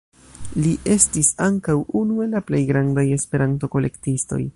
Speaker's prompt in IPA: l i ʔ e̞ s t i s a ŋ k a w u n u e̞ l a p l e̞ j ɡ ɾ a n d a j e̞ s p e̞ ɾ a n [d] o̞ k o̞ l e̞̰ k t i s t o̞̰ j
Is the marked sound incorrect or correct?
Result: incorrect